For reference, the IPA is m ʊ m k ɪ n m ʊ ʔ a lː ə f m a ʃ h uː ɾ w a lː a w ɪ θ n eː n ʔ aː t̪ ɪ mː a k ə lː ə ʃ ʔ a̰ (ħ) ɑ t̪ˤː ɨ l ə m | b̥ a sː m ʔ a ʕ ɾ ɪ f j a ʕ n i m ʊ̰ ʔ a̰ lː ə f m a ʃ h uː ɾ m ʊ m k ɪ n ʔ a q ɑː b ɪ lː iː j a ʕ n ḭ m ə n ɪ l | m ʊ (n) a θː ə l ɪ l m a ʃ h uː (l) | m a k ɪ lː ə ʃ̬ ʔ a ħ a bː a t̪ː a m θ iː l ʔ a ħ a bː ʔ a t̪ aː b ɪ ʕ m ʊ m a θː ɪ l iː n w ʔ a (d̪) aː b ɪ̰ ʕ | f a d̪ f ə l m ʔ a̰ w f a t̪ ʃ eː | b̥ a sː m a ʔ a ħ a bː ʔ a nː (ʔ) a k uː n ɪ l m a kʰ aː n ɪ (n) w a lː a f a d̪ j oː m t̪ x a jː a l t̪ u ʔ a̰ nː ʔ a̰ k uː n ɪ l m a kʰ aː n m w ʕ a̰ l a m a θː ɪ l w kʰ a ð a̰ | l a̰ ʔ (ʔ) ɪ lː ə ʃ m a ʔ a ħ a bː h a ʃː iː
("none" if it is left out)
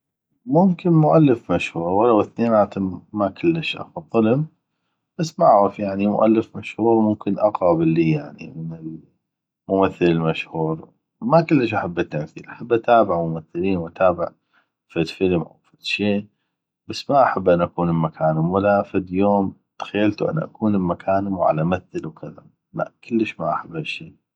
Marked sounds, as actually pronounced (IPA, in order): f, m, ɾ, t̪, ʔ, m, k

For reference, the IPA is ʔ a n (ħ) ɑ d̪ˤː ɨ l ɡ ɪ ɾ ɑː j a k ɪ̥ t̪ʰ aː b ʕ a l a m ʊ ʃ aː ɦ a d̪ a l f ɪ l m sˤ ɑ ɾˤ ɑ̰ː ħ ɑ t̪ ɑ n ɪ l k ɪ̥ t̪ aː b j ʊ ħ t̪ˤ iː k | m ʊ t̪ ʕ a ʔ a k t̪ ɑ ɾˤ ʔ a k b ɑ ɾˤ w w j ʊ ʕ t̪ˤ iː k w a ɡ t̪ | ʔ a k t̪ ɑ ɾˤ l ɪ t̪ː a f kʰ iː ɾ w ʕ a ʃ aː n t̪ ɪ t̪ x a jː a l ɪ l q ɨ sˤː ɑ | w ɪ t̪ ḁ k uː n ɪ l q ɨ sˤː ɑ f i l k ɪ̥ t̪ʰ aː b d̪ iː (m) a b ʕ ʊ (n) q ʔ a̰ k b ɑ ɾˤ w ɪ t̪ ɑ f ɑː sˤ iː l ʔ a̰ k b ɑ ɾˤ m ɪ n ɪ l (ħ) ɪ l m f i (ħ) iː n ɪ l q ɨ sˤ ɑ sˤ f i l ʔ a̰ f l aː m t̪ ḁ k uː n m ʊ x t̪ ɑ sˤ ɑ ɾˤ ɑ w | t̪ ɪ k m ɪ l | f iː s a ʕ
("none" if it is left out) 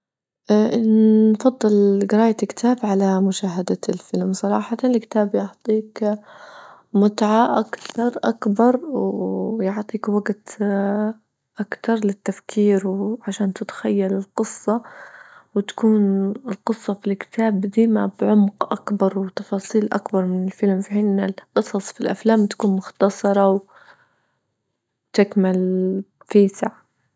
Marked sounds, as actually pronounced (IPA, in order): f, m, m, f, ħ

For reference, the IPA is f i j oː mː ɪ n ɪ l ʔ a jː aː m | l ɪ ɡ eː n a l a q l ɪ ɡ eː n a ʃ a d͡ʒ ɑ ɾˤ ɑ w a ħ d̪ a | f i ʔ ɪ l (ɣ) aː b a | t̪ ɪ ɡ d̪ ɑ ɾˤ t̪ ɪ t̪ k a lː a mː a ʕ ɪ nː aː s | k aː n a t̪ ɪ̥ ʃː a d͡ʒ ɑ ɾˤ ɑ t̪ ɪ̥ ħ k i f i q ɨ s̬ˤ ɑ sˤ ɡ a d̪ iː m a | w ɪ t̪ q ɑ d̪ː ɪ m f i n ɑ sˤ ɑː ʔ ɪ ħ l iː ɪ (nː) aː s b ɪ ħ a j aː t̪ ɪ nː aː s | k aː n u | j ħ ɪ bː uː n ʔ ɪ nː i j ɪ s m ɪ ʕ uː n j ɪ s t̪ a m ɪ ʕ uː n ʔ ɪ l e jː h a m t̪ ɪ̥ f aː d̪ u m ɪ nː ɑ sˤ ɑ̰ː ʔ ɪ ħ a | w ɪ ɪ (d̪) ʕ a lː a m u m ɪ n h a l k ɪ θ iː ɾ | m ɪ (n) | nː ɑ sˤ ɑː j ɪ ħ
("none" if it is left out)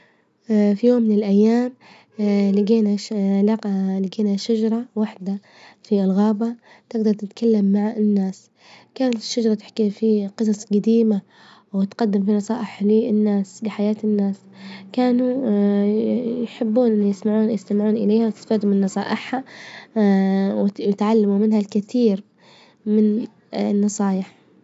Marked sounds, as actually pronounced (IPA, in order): ɣ, nː, t̪, n

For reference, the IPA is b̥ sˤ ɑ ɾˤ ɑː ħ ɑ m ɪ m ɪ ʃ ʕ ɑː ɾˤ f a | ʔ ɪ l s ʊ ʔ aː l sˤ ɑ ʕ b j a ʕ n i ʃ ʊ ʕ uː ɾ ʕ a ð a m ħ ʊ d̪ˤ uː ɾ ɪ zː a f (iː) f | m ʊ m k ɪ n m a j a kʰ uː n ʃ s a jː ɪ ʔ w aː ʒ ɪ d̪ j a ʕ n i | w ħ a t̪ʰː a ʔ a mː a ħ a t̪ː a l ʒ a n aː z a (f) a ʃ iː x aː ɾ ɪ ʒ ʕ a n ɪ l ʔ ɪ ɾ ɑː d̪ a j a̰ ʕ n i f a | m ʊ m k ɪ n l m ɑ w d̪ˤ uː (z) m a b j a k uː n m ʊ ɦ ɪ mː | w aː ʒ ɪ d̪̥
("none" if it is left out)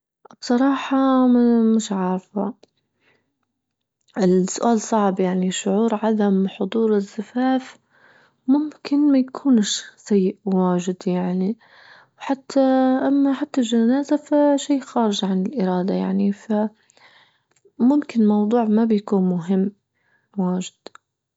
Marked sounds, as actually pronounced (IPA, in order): aː, f, ʕ

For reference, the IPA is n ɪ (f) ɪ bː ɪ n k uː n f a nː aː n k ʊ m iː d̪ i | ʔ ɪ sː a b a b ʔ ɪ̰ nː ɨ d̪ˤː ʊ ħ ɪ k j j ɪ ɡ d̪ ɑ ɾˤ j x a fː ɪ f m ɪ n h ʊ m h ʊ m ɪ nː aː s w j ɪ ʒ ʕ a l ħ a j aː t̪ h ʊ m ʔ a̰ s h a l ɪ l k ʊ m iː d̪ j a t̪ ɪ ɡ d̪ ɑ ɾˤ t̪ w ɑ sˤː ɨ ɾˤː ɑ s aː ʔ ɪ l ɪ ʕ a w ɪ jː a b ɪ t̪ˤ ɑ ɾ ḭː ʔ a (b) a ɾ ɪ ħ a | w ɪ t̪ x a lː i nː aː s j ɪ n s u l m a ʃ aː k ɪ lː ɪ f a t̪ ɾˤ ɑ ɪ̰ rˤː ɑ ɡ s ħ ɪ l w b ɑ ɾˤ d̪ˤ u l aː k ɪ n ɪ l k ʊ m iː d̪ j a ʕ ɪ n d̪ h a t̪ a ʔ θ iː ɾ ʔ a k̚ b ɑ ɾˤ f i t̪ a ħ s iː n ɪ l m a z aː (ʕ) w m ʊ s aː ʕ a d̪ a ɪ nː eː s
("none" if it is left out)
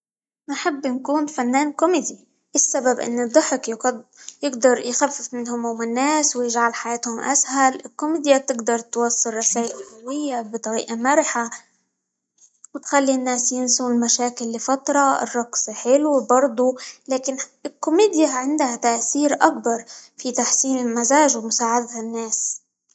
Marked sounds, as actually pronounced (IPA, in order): ħ, m, ʒ

